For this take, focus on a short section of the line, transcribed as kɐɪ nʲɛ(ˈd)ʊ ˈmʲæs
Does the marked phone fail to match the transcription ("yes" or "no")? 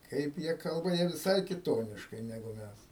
yes